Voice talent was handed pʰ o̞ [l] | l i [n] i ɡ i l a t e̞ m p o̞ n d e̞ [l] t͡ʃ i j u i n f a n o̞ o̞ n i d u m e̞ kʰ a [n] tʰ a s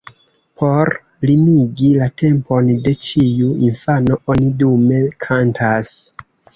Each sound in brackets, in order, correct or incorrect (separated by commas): incorrect, incorrect, incorrect, correct